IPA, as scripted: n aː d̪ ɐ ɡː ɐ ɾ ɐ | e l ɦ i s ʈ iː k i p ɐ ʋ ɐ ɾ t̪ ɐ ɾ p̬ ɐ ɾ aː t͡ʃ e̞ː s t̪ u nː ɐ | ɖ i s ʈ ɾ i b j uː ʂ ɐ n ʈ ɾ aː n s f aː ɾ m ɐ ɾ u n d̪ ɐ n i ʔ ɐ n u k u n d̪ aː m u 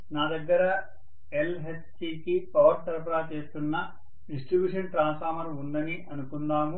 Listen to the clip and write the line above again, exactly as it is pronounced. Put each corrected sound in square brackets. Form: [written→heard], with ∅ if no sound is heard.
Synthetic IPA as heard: n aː d̪ ɐ ɡː ɐ ɾ ɐ | e l ɦ [i→e] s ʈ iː k i p ɐ ʋ ɐ ɾ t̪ ɐ ɾ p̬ ɐ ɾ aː t͡ʃ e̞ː s t̪ u nː ɐ | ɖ i s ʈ ɾ i b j uː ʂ ɐ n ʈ ɾ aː n s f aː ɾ m ɐ ɾ u n d̪ ɐ n i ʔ ɐ n u k u n d̪ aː m u

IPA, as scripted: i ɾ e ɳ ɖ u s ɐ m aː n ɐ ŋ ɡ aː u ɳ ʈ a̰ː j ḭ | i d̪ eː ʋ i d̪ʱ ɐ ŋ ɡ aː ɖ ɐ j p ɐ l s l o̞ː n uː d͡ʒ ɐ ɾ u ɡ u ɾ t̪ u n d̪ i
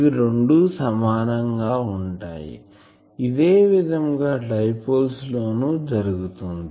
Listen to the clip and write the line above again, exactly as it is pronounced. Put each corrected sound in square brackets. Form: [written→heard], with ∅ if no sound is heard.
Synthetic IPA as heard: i ɾ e ɳ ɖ u s ɐ m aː n ɐ ŋ ɡ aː u ɳ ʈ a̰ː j ḭ | i d̪ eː ʋ i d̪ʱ ɐ ŋ ɡ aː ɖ ɐ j p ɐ l s l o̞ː n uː d͡ʒ ɐ ɾ u ɡ u [ɾ→∅] t̪ u n d̪ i

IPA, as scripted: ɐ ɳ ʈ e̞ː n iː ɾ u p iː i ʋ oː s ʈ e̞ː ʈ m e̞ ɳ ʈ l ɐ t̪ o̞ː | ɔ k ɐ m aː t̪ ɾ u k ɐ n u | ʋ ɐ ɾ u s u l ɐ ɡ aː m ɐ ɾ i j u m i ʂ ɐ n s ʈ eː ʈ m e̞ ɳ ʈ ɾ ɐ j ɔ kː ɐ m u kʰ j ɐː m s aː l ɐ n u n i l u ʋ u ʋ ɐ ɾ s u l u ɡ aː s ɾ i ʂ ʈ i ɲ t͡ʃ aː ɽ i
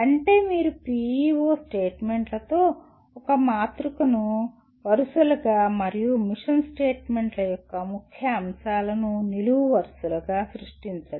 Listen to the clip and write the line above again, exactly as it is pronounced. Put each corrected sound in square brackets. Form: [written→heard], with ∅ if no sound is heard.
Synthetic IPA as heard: ɐ ɳ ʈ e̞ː [n→m] iː ɾ u p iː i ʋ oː s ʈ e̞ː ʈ m e̞ ɳ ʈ l ɐ t̪ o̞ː | ɔ k ɐ m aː t̪ ɾ u k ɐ n u | ʋ ɐ ɾ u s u l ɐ ɡ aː m ɐ ɾ i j u m i ʂ ɐ n s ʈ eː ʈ m e̞ ɳ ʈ [ɾ→l] ɐ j ɔ kː ɐ m u kʰ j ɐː m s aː l ɐ n u n i l u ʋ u ʋ ɐ ɾ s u l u ɡ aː s ɾ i ʂ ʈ i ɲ t͡ʃ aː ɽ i

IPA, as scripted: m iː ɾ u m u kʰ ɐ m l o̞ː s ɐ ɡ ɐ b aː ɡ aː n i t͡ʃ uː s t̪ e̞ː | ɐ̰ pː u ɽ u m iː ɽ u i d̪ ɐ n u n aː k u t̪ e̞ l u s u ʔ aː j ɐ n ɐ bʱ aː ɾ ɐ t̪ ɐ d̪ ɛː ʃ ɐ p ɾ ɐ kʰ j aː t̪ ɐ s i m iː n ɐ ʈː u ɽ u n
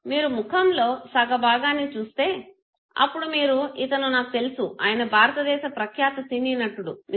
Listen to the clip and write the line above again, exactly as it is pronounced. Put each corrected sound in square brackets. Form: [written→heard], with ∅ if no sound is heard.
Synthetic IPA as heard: m iː ɾ u m u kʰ ɐ m l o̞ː s ɐ ɡ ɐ b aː ɡ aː n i t͡ʃ uː s t̪ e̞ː | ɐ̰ pː u ɽ u m iː [ɽ→ɾ] u i [d̪→t̪] ɐ n u n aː k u t̪ e̞ l u s u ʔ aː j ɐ n ɐ bʱ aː ɾ ɐ t̪ ɐ d̪ ɛː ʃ ɐ p ɾ ɐ kʰ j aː t̪ ɐ s i [m→n] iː n ɐ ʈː u ɽ u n

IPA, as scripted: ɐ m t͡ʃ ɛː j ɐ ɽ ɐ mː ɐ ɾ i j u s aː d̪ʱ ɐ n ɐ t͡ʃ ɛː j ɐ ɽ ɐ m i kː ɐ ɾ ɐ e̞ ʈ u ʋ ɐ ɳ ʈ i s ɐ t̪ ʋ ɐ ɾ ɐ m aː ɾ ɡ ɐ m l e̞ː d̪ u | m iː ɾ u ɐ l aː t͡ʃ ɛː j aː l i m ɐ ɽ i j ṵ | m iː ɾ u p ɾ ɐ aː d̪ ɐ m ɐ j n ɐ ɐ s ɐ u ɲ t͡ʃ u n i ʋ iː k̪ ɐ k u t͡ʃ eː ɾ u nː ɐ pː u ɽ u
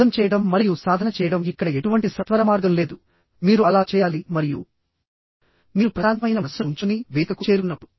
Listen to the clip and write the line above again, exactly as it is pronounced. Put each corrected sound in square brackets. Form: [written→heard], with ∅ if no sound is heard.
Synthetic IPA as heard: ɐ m t͡ʃ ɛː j ɐ ɽ ɐ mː ɐ ɾ i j u s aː d̪ʱ ɐ n ɐ t͡ʃ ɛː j ɐ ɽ ɐ m i kː ɐ [ɾ→ɽ] ɐ e̞ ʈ u ʋ ɐ ɳ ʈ i s ɐ t̪ ʋ ɐ ɾ ɐ m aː ɾ ɡ ɐ m l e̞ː d̪ u | m iː ɾ u ɐ l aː t͡ʃ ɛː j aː l i m ɐ [ɽ→ɾ] i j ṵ | m iː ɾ u p ɾ ɐ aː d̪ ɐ m ɐ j n ɐ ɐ s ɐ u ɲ t͡ʃ u n i ʋ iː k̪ ɐ k u t͡ʃ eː ɾ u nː ɐ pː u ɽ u

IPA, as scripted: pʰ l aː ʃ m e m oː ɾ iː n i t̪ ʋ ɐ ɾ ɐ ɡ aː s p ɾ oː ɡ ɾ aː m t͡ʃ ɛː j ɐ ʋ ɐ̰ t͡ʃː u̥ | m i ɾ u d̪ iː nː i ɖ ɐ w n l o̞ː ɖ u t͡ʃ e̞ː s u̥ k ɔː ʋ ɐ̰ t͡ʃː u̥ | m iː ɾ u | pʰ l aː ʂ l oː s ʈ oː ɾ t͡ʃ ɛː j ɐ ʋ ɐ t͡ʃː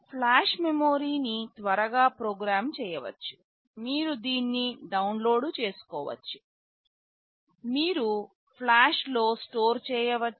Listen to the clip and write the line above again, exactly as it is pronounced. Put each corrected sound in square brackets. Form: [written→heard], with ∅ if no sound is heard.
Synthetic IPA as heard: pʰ l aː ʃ m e m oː ɾ iː n i t̪ ʋ ɐ ɾ ɐ ɡ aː [s→∅] p ɾ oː ɡ ɾ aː m t͡ʃ ɛː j ɐ ʋ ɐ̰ t͡ʃː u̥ | m [i→iː] ɾ u d̪ iː nː i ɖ ɐ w n l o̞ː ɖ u t͡ʃ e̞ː s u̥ k ɔː ʋ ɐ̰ t͡ʃː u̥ | m iː ɾ u | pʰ l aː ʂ l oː s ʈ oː ɾ t͡ʃ ɛː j ɐ ʋ ɐ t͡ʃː

